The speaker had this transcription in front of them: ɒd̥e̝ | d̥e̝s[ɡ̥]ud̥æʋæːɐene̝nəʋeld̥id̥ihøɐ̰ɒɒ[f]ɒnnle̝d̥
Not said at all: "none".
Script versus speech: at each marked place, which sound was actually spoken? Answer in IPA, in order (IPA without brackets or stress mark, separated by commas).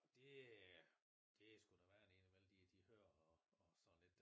ɡ̥, s